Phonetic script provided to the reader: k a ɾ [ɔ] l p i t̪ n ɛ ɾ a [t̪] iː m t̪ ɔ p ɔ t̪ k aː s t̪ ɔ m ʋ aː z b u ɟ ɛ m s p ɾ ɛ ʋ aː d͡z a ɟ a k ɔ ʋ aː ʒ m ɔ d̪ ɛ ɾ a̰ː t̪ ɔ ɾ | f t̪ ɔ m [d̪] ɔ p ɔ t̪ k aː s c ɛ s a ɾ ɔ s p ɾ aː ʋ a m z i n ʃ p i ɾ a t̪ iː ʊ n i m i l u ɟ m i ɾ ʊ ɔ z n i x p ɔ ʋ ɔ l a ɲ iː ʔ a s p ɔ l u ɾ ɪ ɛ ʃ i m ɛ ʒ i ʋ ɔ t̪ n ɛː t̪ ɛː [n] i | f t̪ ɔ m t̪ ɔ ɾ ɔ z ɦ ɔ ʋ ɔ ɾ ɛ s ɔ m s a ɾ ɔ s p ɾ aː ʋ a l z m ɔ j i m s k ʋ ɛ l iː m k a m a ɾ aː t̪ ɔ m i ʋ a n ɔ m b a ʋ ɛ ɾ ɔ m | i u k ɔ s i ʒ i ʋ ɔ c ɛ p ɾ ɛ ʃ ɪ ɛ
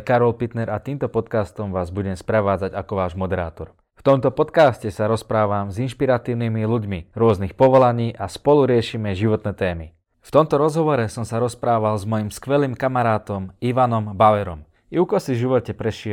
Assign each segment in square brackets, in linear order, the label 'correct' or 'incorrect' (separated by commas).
correct, correct, incorrect, incorrect